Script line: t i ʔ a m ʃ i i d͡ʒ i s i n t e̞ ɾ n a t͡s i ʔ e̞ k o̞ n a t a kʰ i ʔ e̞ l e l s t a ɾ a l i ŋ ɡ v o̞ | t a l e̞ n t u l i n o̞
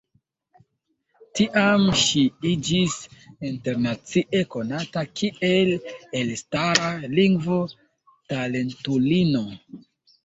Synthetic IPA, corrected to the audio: t i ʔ a m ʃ i i d͡ʒ i s i n t e̞ ɾ n a t͡s i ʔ e̞ k o̞ n a t a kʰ i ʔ e̞ l e l s t a ɾ a l i ŋ ɡ v o̞ | t a l e̞ n t u l i n o̞